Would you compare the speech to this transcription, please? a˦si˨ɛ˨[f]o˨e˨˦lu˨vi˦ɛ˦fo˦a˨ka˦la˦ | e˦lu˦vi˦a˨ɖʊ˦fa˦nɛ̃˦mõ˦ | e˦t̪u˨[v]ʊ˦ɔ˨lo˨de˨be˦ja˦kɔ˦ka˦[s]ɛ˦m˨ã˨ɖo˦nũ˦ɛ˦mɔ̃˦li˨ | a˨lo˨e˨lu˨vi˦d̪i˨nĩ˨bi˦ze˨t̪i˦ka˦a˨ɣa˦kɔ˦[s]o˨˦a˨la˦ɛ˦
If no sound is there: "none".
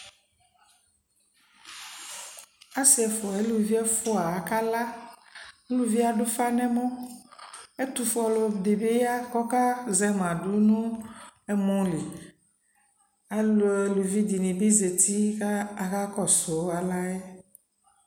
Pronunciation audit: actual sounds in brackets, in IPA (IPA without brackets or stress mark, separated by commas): f, f, z, s